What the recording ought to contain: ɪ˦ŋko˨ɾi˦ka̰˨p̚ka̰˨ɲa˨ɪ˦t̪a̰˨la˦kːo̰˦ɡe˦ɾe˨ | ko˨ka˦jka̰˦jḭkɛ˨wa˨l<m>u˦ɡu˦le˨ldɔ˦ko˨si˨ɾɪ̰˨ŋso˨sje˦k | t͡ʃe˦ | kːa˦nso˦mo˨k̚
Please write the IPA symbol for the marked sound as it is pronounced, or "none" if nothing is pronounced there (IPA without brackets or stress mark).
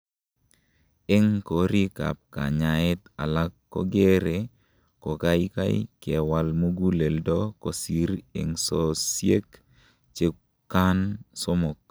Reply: m